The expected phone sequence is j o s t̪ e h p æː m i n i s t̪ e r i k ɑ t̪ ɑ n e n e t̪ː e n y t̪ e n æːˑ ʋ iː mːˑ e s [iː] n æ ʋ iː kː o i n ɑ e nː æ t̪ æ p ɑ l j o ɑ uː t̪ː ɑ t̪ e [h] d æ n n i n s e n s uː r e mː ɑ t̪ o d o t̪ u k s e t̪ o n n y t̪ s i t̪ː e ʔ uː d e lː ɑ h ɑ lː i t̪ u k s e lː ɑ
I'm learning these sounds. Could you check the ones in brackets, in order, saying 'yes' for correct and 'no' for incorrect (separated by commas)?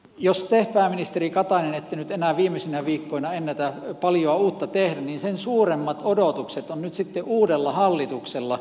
no, yes